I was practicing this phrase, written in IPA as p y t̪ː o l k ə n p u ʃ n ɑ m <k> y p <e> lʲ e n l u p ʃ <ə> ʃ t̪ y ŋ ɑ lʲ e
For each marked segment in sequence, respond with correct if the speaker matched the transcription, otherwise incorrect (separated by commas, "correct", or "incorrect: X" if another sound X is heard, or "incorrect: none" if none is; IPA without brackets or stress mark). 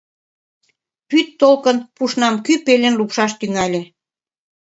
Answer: correct, correct, incorrect: ɑ